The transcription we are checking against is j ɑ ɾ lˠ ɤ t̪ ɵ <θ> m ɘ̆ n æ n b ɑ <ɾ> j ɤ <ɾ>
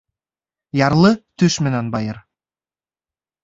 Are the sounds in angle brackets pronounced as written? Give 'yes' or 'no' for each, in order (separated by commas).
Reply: no, no, yes